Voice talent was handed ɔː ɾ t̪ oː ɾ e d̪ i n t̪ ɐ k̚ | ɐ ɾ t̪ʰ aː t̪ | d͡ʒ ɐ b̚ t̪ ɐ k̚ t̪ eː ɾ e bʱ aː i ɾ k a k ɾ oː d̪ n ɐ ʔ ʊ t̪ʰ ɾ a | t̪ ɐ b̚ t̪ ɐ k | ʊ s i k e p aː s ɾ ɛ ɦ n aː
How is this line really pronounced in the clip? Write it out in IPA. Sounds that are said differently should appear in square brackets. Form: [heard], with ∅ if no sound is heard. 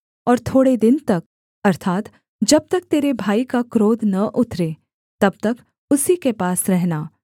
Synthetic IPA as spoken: ɔː ɾ [t̪ʰ] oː [ɽ] e d̪ [ɪ] n t̪ ɐ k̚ | ɐ ɾ t̪ʰ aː t̪ | d͡ʒ ɐ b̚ t̪ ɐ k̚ t̪ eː ɾ e bʱ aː i [∅] k a k ɾ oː d̪ n ɐ ʔ ʊ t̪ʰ ɾ [e] | t̪ ɐ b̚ t̪ ɐ k | ʊ s i k e p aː s ɾ ɛ ɦ n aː